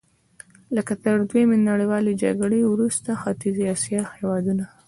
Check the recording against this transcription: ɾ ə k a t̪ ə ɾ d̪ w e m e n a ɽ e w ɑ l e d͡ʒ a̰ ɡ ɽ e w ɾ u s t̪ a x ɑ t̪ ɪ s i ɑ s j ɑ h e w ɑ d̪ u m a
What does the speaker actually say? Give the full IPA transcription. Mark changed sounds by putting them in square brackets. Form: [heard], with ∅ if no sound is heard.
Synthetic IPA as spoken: [l] ə k a t̪ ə ɾ d̪ w e m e n a ɽ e w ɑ l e d͡ʒ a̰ ɡ ɽ e w ɾ u s t̪ a x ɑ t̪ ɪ [z] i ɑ s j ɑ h e w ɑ d̪ u [n] a